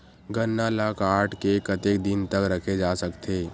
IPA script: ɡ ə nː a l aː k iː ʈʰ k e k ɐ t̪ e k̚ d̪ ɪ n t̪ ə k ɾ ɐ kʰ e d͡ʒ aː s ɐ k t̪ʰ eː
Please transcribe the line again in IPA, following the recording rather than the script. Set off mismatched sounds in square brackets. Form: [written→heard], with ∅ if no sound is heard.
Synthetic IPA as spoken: ɡ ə nː a l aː k [iː→aː] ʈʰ k e k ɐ t̪ e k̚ d̪ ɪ n t̪ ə k ɾ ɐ kʰ e d͡ʒ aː s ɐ k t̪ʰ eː